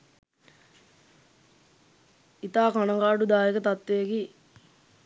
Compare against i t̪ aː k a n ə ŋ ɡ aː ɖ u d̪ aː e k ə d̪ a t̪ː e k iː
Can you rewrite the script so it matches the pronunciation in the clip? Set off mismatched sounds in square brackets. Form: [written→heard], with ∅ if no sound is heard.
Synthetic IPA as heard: i t̪ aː k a n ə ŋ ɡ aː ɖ u d̪ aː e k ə [d̪→t̪] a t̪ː e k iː

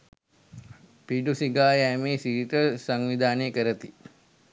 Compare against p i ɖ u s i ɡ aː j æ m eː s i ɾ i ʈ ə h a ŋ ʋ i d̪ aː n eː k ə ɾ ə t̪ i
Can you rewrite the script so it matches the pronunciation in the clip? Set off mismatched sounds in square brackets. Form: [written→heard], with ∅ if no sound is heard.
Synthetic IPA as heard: p i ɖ u s i ɡ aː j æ m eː s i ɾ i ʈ ə [h→s] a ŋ ʋ i d̪ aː n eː k ə ɾ ə t̪ i

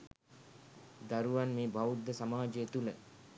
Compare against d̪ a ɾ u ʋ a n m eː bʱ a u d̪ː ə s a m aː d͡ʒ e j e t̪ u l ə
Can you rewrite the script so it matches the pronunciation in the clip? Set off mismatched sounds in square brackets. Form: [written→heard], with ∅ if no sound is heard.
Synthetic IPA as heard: d̪ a ɾ u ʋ a n m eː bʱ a u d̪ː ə s a m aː d͡ʒ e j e t̪ u l ə

